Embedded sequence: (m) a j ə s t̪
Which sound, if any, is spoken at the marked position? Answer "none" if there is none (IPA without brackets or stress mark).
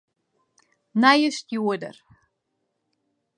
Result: n